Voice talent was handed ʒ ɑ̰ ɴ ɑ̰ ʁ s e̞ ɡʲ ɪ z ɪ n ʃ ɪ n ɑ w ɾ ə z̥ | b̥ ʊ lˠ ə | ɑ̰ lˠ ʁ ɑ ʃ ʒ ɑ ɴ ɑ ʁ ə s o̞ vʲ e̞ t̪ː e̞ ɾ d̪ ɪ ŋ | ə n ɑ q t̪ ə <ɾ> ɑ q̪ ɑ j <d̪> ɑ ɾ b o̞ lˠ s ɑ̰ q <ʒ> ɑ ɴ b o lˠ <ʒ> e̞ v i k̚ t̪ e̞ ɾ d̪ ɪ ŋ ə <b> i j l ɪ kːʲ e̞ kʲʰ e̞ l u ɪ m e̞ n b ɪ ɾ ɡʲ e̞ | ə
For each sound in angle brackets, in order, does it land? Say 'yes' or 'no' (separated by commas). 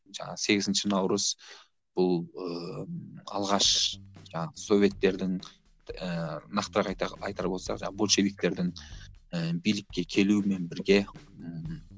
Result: yes, no, yes, no, yes